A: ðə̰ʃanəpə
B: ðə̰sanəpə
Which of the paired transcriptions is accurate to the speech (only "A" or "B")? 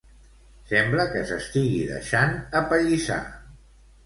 A